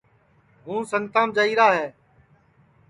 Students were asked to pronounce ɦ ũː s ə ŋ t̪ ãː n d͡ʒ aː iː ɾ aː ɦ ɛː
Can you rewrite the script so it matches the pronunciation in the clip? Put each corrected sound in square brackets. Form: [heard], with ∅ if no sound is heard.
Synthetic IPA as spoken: ɦ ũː s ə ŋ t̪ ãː [m] d͡ʒ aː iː ɾ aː ɦ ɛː